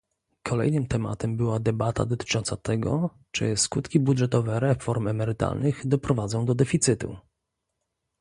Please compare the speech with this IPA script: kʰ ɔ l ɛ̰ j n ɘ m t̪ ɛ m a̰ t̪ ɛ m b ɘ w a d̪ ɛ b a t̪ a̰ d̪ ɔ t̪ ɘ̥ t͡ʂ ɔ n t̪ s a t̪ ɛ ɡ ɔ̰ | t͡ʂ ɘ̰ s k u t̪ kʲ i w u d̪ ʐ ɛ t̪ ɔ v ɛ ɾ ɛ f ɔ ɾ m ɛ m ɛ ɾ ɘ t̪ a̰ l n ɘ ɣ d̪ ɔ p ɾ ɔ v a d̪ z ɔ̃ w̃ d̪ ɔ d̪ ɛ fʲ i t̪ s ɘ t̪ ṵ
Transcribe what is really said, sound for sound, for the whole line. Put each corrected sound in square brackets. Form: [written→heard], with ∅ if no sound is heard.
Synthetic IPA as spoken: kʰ ɔ l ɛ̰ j n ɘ m t̪ ɛ m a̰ t̪ ɛ m b ɘ w a d̪ ɛ b a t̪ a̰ d̪ ɔ t̪ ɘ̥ t͡ʂ ɔ n t̪ s a t̪ ɛ ɡ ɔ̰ | t͡ʂ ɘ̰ s k u t̪ kʲ i [w→b] u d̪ ʐ ɛ t̪ ɔ v ɛ ɾ ɛ f ɔ ɾ m ɛ m ɛ ɾ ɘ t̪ a̰ l n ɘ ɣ d̪ ɔ p ɾ ɔ v a d̪ z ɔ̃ w̃ d̪ ɔ d̪ ɛ fʲ i t̪ s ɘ t̪ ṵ